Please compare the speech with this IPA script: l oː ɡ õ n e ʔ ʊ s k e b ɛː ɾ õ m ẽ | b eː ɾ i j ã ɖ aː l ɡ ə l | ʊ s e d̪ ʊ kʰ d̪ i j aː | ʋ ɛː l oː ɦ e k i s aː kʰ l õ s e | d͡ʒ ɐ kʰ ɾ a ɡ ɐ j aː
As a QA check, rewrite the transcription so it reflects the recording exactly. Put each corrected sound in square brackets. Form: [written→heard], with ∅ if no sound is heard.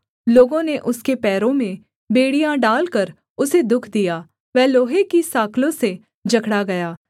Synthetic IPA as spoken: l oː ɡ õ n e ʔ ʊ s k e [b→p] ɛː ɾ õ m ẽ | b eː [ɾ→ɽ] i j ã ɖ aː l [ɡ→k] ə [l→ɾ] | ʊ s e d̪ ʊ kʰ d̪ i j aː | ʋ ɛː l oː ɦ e k i s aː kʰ l õ s e | d͡ʒ ɐ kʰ [ɾ→ɽ] a ɡ ɐ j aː

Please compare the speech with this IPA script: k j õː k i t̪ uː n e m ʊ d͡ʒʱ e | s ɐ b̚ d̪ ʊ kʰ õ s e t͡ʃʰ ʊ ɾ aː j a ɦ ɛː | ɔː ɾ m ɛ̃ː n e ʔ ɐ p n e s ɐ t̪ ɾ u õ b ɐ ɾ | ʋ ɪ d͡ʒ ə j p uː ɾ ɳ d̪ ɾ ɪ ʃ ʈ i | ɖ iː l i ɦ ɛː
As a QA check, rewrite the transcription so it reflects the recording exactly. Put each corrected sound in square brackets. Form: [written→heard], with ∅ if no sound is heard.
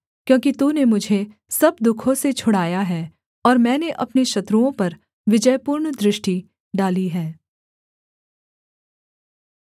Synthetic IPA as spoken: k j õː k i t̪ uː n e m ʊ d͡ʒʱ e | s ɐ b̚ d̪ ʊ kʰ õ s e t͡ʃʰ ʊ [ɾ→ɽ] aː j a ɦ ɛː | ɔː ɾ m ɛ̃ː n e ʔ ɐ p n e [s→ʃ] ɐ t̪ ɾ u õ [b→p] ɐ ɾ | ʋ ɪ d͡ʒ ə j p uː ɾ ɳ d̪ ɾ ɪ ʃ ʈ i | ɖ [iː→aː] l i ɦ ɛː

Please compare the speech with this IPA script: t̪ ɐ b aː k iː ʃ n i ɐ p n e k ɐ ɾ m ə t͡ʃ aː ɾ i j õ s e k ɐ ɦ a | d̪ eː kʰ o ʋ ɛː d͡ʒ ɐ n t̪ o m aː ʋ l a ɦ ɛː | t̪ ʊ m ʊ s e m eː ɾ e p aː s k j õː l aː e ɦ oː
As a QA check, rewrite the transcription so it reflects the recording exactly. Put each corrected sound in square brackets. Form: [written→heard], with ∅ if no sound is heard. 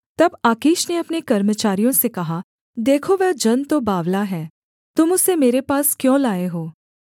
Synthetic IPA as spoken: t̪ ɐ b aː k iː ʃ n [i→e] ɐ p n e k ɐ ɾ m ə t͡ʃ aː ɾ i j õ s e k ɐ ɦ a | d̪ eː kʰ o ʋ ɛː d͡ʒ ɐ n t̪ o [m→b] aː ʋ l a ɦ ɛː | t̪ ʊ m ʊ s e m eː ɾ e p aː s k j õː l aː e ɦ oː

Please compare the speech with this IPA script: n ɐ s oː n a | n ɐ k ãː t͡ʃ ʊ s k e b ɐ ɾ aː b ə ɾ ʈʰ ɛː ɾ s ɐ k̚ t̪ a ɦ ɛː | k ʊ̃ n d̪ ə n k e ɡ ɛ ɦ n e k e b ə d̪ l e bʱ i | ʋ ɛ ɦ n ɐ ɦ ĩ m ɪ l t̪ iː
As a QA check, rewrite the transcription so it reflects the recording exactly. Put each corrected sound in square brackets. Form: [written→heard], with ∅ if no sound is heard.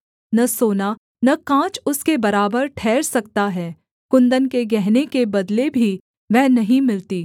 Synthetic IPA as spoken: n ɐ s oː n a | n ɐ k ãː t͡ʃ ʊ s k e b ɐ ɾ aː b ə ɾ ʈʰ ɛː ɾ s ɐ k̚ t̪ a ɦ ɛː | k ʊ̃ n d̪ ə n k e ɡ ɛ ɦ n e k e b [ə→ɐ] d̪ l e bʱ i | ʋ ɛ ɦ n ɐ ɦ ĩ m ɪ l t̪ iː

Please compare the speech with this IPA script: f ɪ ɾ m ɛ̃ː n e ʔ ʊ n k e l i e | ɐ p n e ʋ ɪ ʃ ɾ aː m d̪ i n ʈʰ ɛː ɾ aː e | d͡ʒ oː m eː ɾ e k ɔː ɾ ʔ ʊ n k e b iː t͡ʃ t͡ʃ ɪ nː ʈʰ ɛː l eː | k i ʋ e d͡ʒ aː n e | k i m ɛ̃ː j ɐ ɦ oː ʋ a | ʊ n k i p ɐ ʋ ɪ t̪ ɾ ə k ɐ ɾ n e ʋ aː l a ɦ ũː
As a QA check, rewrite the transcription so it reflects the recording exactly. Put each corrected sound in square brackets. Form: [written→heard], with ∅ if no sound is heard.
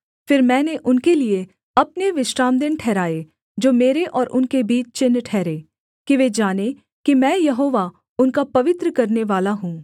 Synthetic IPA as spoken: f ɪ ɾ m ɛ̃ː n e ʔ ʊ n k e l i e | ɐ p n e ʋ ɪ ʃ ɾ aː m d̪ [i→ɪ] n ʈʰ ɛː ɾ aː e | d͡ʒ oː m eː ɾ e [k→ʔ] ɔː ɾ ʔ ʊ n k e b iː t͡ʃ t͡ʃ ɪ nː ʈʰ ɛː [l→ɾ] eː | k i ʋ e d͡ʒ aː n e | k i m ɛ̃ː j ɐ ɦ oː ʋ a | ʊ n k [i→a] p ɐ ʋ ɪ t̪ ɾ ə k ɐ ɾ n e ʋ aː l a ɦ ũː

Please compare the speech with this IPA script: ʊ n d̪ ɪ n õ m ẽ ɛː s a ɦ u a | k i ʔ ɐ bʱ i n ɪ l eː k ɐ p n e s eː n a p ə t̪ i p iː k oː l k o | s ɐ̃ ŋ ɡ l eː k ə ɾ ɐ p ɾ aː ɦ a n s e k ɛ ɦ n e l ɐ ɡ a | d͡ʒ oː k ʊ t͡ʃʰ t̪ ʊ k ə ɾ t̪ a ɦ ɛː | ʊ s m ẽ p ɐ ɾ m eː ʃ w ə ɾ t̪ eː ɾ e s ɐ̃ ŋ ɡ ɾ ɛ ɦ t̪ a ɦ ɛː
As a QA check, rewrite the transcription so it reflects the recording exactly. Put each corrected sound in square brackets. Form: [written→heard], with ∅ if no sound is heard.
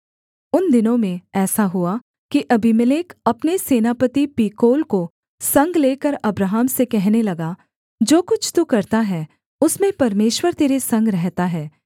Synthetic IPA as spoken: ʊ n d̪ ɪ n õ m ẽ ɛː s a ɦ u a | k i ʔ ɐ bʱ i [n→m] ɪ l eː k ɐ p n e s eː n a p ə t̪ i p iː k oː l k o | s ɐ̃ ŋ ɡ l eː k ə ɾ ɐ [p→b] ɾ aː ɦ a [n→m] s e k ɛ ɦ n e l ɐ ɡ a | d͡ʒ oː k ʊ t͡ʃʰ t̪ [ʊ→u] k [ə→ɐ] ɾ t̪ a ɦ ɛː | ʊ s m ẽ p ɐ ɾ m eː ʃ w ə ɾ t̪ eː ɾ e s ɐ̃ ŋ ɡ ɾ ɛ ɦ t̪ a ɦ ɛː

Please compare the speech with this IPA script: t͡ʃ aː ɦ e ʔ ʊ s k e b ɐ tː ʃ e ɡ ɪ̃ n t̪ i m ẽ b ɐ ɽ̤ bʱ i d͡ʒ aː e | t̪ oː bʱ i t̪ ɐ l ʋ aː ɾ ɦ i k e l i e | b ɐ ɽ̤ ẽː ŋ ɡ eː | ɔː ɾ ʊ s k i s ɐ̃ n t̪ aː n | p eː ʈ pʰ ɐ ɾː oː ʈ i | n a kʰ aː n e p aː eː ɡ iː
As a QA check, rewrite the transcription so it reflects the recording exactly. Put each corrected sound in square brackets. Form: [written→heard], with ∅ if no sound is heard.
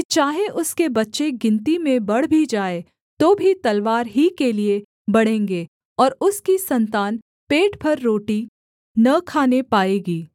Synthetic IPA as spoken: t͡ʃ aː ɦ e ʔ ʊ s k e b ɐ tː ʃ e ɡ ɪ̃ n t̪ i m ẽ b ɐ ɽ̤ bʱ i d͡ʒ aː e | t̪ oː bʱ i t̪ ɐ l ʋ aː ɾ ɦ i k e l i e | b ɐ ɽ̤ ẽː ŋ ɡ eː | ɔː ɾ ʊ s k i s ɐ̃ n t̪ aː n | p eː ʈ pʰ ɐ ɾː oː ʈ i | n [a→ɐ] kʰ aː n e p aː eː ɡ iː

